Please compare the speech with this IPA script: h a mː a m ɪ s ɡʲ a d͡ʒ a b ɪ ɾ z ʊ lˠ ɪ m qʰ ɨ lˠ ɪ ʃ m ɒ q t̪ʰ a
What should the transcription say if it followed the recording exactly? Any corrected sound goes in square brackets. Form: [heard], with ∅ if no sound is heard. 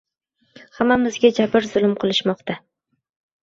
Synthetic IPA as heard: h a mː a m ɪ [z] ɡʲ a d͡ʒ a b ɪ ɾ z ʊ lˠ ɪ m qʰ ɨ lˠ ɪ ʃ m ɒ q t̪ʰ a